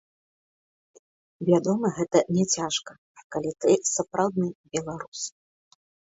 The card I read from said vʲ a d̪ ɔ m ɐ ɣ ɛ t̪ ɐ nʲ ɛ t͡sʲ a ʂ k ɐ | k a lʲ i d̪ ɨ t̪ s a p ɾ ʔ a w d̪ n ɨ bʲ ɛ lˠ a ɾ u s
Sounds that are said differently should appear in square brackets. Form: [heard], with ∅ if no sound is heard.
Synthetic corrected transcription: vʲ a d̪ ɔ m ɐ ɣ ɛ t̪ ɐ nʲ ɛ t͡sʲ a ʂ k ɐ | k a lʲ i [t̪] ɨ [∅] s a p ɾ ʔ a w d̪ n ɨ bʲ ɛ lˠ a ɾ u s